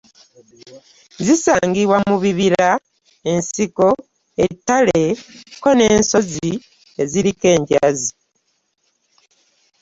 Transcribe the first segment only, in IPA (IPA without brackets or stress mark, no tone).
z